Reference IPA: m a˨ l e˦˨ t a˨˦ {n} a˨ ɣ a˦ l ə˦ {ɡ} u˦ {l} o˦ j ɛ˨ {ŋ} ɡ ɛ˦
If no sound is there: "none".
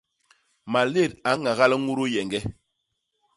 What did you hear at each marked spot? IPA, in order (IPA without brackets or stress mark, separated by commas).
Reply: ŋ, ŋ, ɾ, ŋ